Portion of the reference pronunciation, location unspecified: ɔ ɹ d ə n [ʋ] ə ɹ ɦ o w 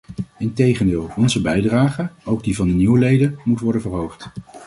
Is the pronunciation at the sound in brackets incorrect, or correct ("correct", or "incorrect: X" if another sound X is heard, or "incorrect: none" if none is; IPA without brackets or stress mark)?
incorrect: v